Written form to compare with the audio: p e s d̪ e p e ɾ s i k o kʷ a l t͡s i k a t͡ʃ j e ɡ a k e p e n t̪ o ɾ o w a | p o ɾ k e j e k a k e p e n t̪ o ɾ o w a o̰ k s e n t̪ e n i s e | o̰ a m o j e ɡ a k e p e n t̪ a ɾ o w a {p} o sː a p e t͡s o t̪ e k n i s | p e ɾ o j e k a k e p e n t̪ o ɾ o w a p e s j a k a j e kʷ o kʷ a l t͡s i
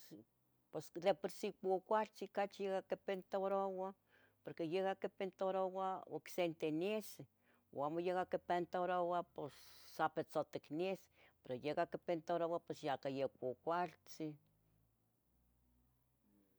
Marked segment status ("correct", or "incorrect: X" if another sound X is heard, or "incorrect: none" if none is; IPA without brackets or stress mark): correct